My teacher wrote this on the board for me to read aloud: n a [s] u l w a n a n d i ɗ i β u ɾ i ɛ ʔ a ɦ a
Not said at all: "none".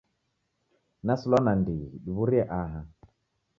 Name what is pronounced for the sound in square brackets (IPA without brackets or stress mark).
s